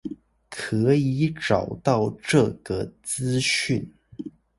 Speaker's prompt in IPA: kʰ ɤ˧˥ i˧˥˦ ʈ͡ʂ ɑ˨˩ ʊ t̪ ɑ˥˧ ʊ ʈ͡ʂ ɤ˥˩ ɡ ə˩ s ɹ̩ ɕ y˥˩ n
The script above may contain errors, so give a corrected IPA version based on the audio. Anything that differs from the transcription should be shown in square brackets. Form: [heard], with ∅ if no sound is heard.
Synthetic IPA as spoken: kʰ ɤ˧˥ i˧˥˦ ʈ͡ʂ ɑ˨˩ ʊ t̪ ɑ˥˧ ʊ ʈ͡ʂ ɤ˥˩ ɡ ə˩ [t͡s] ɹ̩ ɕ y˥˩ n